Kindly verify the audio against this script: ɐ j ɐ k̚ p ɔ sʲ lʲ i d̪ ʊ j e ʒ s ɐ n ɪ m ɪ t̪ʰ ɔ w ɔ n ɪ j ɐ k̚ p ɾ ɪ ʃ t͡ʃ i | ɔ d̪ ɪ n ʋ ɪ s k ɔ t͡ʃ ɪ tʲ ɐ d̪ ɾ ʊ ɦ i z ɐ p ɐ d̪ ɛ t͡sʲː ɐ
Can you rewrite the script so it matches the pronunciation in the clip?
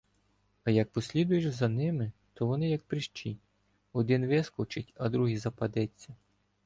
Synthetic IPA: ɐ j ɐ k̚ p ɔ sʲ lʲ i d̪ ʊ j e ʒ z ɐ n ɪ m ɪ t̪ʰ ɔ ʋ ɔ n ɪ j ɐ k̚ p ɾ ɪ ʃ t͡ʃ i | ɔ d̪ ɪ n ʋ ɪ s k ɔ t͡ʃ ɪ tʲ ɐ d̪ ɾ u ɦ i z ɐ p ɐ d̪ ɛ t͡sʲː ɐ